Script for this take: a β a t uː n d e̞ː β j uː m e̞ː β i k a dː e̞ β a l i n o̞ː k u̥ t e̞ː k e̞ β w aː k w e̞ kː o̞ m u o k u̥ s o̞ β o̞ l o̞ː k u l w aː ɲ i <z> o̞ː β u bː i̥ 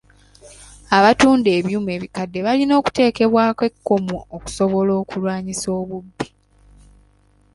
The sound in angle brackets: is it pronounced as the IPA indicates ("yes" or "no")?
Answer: no